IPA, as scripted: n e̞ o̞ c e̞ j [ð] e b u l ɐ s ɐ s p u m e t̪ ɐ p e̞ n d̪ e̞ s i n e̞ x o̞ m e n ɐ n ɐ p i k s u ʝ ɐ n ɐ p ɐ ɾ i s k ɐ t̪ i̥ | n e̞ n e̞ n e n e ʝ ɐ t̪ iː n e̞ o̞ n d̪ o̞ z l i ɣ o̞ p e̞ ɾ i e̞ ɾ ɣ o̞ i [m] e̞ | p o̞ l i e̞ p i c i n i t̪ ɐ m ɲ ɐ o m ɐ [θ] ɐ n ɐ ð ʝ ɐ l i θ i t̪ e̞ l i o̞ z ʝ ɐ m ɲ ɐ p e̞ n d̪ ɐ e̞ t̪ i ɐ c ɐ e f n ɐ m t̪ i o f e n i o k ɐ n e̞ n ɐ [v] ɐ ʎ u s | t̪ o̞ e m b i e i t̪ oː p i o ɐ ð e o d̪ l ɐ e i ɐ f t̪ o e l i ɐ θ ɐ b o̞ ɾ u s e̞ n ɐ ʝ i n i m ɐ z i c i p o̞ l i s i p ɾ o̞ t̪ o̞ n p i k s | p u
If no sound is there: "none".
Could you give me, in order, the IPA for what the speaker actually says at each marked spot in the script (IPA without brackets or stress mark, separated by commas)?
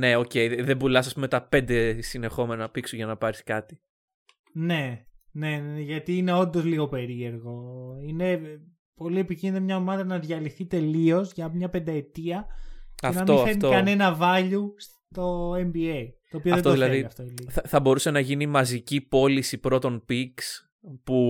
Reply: ð, n, ð, v